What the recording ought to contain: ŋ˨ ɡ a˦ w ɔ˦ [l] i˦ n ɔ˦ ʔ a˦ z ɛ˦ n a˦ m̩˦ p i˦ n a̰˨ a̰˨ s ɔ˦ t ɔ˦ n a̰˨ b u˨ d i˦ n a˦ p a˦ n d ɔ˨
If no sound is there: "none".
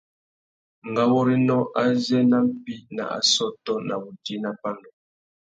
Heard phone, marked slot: ɾ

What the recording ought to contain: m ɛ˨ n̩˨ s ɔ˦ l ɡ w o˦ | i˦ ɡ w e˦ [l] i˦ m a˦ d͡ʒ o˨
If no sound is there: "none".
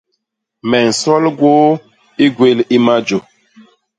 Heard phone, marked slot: l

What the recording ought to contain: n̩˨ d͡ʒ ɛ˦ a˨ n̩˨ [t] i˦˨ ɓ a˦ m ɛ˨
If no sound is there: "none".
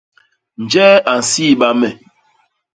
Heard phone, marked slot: s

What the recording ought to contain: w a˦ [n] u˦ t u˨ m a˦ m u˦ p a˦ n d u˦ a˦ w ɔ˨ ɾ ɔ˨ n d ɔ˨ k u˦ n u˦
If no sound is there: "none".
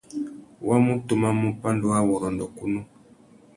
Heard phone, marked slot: m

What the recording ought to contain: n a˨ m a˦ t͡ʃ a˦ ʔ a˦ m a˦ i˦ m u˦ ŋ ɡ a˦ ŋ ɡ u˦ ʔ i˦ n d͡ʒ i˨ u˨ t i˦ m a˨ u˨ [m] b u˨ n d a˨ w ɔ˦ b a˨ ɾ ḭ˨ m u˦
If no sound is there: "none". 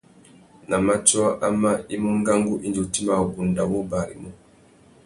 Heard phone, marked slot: none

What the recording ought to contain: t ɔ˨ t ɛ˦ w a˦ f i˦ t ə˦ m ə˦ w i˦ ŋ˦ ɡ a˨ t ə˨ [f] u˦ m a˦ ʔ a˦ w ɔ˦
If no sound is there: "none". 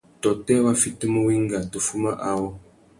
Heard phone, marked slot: f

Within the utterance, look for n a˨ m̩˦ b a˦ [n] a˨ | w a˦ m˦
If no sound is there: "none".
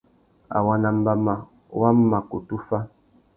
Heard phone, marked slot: m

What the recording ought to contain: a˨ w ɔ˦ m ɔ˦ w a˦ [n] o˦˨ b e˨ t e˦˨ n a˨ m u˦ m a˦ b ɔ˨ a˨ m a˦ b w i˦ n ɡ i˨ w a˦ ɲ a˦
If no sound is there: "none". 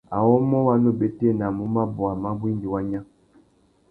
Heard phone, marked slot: n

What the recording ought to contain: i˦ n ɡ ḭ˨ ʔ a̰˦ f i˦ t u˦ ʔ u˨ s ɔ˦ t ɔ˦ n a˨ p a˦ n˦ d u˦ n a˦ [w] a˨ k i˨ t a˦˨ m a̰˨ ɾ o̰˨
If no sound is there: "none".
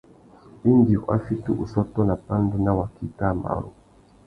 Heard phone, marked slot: w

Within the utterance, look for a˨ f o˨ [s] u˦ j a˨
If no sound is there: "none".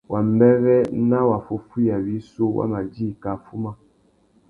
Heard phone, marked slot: f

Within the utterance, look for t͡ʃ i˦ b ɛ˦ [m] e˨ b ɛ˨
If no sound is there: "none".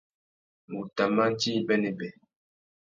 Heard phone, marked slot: n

